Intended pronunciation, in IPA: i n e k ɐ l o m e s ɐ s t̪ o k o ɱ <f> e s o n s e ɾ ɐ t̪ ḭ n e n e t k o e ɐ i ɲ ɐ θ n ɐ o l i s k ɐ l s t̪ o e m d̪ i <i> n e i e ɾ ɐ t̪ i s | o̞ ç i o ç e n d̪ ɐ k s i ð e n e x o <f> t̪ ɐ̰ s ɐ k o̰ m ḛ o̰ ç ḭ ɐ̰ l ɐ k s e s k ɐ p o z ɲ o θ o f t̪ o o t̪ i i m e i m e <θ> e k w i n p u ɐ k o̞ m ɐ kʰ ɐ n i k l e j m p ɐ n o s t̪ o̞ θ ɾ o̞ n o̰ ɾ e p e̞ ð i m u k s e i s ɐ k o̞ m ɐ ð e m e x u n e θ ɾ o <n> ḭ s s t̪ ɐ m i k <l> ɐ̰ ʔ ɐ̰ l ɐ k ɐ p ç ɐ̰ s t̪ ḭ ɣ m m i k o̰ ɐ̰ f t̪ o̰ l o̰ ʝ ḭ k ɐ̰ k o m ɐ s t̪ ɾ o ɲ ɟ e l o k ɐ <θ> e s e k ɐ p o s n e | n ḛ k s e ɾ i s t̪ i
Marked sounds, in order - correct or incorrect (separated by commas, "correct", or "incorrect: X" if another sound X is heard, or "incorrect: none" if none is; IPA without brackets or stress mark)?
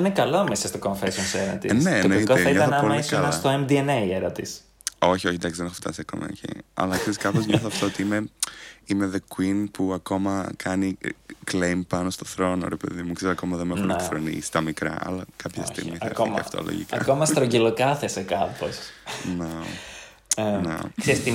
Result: correct, incorrect: e, correct, incorrect: ð, correct, incorrect: ɾ, correct